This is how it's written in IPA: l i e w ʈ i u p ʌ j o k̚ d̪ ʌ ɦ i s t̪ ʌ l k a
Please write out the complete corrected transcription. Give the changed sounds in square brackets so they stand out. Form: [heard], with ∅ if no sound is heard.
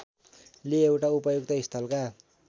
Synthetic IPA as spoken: l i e w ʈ [a] u p ʌ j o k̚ [t̪] ʌ ɦ i s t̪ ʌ l k a